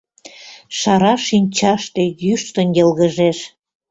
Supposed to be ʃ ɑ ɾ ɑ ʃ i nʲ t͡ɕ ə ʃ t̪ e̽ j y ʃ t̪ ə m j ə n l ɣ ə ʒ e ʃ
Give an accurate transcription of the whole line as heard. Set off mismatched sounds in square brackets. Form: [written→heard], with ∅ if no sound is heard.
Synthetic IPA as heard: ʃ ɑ ɾ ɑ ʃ i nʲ t͡ɕ [ə→ɑ] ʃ t̪ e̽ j y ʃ t̪ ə [m→n] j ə [n→∅] l ɣ ə ʒ e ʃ